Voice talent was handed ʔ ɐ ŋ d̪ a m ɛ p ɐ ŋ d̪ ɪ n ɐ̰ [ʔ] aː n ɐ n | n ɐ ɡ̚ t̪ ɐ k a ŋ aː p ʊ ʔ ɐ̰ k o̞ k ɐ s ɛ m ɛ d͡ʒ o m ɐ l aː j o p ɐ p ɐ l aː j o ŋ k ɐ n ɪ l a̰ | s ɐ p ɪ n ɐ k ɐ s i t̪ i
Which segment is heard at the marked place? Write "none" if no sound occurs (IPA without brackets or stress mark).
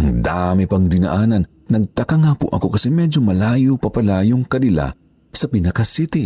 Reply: ʔ